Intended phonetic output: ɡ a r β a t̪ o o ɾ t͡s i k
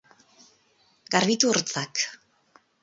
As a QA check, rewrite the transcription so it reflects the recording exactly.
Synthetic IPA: ɡ a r β i t̪ u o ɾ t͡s a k